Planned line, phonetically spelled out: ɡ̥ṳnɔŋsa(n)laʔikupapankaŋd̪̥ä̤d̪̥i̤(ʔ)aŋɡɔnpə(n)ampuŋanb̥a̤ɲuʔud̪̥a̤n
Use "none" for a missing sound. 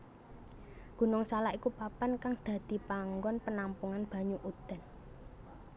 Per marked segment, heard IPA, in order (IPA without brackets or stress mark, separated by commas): none, p, n